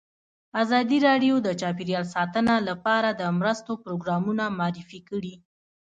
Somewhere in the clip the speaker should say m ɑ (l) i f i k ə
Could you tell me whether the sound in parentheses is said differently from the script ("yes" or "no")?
yes